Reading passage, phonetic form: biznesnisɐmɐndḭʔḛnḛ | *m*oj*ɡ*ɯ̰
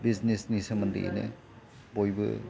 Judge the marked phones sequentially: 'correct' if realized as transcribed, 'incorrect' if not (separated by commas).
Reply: incorrect, incorrect